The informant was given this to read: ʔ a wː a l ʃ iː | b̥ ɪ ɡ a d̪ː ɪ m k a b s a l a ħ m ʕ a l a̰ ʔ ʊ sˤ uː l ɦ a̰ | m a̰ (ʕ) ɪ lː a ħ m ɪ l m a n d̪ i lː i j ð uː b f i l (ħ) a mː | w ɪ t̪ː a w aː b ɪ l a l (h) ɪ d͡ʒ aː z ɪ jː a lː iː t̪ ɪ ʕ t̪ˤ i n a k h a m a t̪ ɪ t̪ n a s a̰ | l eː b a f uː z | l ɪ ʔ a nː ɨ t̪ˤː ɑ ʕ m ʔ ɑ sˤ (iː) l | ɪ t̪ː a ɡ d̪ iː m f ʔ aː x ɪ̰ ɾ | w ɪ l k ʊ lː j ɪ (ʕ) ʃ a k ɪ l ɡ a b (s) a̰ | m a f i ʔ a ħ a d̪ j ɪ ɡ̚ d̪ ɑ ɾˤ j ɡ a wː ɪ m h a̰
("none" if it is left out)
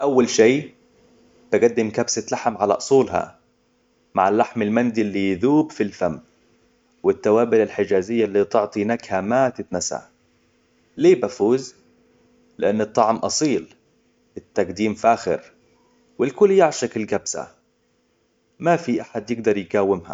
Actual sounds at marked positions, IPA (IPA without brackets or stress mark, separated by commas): ʕ, f, ħ, iː, ʕ, s